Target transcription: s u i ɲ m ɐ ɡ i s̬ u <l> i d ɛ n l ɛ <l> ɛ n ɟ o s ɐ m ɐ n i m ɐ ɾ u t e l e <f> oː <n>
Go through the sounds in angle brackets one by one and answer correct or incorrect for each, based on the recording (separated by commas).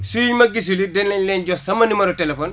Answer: correct, correct, correct, correct